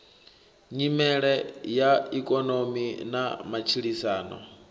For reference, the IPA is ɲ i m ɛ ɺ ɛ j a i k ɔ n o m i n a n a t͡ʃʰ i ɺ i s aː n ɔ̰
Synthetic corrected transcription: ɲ i m ɛ ɺ ɛ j a i kʼ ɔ n o m i n a m a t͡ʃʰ i ɺ i s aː n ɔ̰